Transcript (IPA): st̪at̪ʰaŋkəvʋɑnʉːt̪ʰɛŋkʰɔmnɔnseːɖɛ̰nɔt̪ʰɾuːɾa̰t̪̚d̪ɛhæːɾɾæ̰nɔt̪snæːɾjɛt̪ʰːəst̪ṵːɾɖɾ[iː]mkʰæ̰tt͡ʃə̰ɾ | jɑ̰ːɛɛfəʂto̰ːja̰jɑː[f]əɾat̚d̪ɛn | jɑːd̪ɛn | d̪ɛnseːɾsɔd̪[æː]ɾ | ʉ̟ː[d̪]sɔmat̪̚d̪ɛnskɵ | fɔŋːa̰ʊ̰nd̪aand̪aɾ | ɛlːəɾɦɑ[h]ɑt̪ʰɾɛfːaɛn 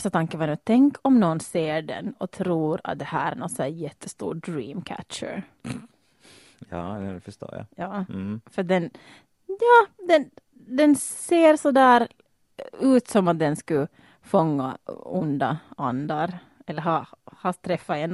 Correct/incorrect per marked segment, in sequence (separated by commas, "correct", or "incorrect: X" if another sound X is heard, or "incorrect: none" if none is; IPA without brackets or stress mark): correct, correct, correct, incorrect: t̪, correct